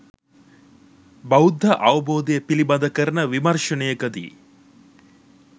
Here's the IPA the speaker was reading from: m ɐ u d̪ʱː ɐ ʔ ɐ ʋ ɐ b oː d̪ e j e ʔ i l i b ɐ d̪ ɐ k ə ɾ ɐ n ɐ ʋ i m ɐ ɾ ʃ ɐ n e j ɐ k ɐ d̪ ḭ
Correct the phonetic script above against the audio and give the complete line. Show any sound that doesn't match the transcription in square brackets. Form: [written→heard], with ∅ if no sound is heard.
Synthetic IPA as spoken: [m→b] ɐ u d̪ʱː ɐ ʔ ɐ ʋ ɐ b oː d̪ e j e [ʔ→p] i l i b ɐ d̪ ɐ k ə ɾ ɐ n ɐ ʋ i m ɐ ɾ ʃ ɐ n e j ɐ k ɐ d̪ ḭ